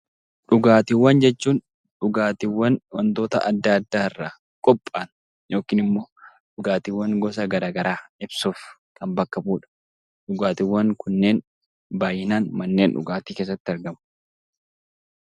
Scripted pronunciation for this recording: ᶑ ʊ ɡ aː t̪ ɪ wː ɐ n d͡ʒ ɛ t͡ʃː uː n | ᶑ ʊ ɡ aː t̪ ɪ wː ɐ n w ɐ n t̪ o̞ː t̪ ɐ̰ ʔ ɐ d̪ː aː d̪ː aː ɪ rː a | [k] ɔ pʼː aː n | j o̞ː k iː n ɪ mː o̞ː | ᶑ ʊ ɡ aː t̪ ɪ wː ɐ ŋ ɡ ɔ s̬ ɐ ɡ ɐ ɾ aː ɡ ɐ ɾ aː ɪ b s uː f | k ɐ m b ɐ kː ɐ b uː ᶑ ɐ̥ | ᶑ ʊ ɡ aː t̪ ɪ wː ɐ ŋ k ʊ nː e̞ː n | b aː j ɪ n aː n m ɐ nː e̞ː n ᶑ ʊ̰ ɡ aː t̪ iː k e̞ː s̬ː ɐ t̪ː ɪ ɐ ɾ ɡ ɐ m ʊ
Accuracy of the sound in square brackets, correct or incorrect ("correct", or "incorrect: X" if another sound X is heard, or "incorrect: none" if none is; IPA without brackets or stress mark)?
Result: incorrect: kʼ